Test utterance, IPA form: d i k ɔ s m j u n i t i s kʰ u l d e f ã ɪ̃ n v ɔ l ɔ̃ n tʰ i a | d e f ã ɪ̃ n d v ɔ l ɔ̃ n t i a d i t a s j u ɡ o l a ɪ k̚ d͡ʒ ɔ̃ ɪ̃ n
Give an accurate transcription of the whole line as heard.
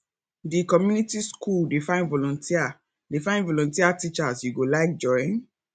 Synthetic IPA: d i k ɔ m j u n i t i s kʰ u l d e f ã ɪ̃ n v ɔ l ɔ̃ n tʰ i a | d e f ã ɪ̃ n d v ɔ l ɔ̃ n t i a t i t͡ʃ a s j u ɡ o l a ɪ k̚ d͡ʒ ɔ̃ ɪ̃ n